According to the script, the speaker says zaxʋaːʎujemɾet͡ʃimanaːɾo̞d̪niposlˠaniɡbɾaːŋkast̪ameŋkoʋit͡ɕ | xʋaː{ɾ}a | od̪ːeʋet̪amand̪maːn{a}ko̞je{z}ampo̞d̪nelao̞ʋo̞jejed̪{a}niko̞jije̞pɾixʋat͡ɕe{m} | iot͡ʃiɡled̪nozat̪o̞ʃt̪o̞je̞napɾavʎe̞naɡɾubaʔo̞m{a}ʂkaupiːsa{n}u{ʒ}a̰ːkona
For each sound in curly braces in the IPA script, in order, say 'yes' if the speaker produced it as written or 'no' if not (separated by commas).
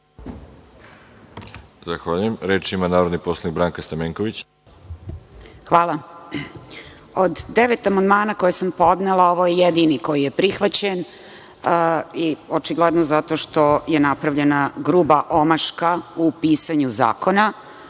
no, yes, no, no, no, yes, no, no